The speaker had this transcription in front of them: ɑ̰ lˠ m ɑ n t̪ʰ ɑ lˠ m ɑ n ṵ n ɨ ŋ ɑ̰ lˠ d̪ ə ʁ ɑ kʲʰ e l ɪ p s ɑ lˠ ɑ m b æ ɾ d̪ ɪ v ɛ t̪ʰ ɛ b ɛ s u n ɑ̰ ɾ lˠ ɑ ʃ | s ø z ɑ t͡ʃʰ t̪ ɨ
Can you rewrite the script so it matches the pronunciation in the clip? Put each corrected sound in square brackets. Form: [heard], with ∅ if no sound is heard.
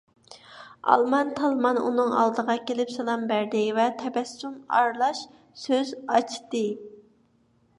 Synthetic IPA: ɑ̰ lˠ m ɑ n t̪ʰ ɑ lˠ m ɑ n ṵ n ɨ ŋ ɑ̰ lˠ d̪ ə ʁ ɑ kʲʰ e l ɪ p s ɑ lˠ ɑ m b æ ɾ d̪ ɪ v ɛ t̪ʰ ɛ b ɛ s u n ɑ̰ ɾ lˠ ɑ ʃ | s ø z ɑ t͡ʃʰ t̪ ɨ